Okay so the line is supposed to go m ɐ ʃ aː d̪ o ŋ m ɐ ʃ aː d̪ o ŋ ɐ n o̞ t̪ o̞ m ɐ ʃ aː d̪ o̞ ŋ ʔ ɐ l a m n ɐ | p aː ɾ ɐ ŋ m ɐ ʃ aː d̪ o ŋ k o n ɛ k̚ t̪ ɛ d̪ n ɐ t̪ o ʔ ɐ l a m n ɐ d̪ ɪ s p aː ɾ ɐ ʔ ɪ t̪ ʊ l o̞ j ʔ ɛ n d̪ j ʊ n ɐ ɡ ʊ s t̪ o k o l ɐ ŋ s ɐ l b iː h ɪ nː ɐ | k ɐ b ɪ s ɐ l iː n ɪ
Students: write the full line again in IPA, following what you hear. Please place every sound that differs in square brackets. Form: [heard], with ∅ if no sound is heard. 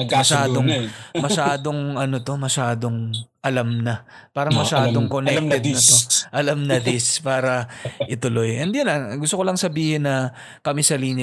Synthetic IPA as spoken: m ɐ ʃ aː d̪ o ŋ m ɐ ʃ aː d̪ o ŋ ɐ n o̞ t̪ o̞ m ɐ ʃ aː d̪ o̞ ŋ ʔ ɐ l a m n ɐ | p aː ɾ ɐ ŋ m ɐ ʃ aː d̪ o ŋ k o n ɛ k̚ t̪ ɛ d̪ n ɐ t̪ o ʔ ɐ l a m n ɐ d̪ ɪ s p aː ɾ ɐ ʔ ɪ t̪ ʊ l o̞ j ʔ ɛ n d̪ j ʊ n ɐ ɡ ʊ s t̪ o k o l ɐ ŋ s ɐ [∅] b iː h ɪ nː ɐ | k ɐ [m] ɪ s ɐ l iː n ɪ